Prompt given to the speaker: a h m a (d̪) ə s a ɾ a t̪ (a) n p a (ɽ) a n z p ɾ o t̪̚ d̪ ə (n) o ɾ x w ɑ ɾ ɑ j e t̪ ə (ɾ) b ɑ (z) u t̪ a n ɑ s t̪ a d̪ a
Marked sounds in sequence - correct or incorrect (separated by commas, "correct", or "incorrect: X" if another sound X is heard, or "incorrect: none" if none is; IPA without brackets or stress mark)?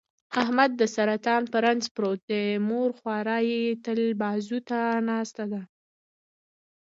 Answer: incorrect: d̪ː, incorrect: ɑ, incorrect: ɾ, incorrect: m, incorrect: l, correct